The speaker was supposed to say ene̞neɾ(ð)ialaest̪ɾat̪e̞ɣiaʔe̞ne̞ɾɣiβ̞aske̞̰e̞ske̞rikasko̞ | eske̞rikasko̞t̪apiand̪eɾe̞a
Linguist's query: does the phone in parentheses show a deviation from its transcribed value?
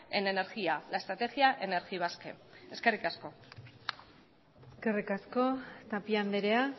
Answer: yes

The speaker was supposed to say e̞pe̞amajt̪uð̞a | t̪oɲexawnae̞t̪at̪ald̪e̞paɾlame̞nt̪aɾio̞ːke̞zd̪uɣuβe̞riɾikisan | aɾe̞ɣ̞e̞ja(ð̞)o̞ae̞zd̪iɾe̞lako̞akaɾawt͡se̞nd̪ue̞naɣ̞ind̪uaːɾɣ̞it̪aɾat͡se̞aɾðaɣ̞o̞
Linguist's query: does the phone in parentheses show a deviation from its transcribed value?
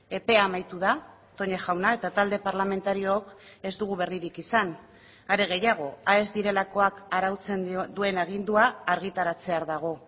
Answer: yes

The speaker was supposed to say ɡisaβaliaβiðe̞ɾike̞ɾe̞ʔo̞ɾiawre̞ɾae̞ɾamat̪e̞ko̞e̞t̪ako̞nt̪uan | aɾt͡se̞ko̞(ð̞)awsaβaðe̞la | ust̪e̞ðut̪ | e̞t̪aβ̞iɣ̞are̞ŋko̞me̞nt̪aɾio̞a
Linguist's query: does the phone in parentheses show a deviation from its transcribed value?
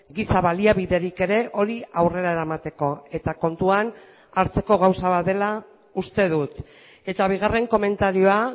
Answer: yes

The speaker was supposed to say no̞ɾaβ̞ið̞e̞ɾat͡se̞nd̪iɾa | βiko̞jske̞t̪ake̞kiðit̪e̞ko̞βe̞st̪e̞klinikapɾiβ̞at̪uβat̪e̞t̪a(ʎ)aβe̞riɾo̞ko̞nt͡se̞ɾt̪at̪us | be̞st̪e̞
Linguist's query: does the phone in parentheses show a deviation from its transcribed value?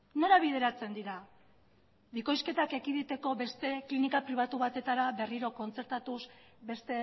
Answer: yes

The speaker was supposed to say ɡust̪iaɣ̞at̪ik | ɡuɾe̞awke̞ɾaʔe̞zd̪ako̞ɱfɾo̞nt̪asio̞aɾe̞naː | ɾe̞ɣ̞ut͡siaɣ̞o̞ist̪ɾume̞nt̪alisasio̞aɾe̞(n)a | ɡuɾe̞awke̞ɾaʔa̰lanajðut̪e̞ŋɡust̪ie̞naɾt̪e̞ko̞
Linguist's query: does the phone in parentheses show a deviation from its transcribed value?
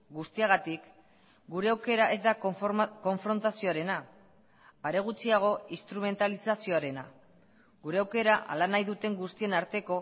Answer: no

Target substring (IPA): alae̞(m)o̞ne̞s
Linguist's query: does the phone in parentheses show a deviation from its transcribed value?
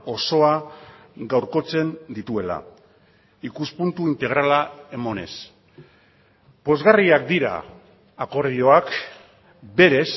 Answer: no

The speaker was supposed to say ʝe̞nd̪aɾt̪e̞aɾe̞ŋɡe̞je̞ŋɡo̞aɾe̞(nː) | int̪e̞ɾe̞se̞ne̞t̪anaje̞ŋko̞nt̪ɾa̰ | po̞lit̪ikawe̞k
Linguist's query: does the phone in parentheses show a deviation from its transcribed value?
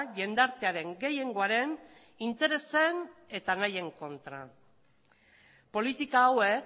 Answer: yes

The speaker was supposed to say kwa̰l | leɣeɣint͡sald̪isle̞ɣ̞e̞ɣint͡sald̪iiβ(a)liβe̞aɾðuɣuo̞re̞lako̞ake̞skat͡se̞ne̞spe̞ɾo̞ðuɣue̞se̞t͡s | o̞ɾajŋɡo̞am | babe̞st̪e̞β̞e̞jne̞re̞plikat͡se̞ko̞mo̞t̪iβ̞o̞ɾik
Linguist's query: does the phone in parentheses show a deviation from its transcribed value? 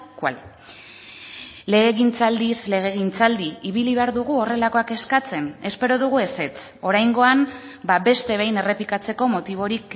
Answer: yes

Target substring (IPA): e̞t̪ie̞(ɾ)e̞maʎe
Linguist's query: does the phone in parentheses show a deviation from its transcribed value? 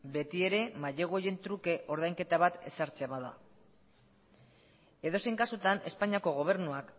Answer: no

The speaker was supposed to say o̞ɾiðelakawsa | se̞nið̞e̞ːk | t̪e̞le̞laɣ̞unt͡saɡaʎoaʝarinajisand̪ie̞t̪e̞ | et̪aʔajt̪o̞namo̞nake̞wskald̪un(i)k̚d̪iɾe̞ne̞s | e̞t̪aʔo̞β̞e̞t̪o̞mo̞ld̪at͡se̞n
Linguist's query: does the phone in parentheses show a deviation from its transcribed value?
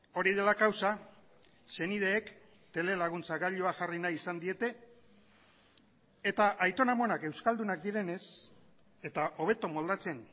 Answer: yes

